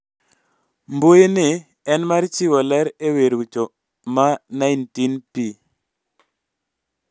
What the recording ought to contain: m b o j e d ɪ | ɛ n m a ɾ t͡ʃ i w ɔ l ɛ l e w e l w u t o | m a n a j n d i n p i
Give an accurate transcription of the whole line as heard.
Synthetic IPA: m b o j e n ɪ | ɛ n m a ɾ t͡ʃ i w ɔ l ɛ ɾ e w e ɾ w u t͡ʃ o | m a n a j n t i n p i